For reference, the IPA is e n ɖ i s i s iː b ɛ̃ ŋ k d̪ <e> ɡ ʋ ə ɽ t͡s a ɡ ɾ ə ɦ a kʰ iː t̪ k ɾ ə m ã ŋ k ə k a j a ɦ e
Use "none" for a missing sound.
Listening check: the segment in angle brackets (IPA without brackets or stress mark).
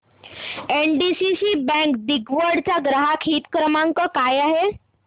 i